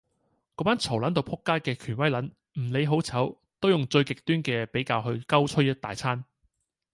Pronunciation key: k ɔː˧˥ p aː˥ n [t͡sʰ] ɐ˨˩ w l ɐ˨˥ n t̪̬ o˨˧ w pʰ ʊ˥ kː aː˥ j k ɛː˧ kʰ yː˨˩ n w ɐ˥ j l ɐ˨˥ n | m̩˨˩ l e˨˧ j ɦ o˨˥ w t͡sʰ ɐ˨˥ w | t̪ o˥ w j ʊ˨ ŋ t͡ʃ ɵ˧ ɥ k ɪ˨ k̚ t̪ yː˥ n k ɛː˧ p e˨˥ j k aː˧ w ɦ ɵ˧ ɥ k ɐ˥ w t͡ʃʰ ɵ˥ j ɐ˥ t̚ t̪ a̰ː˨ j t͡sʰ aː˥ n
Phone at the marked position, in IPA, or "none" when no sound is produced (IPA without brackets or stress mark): t͡sʰ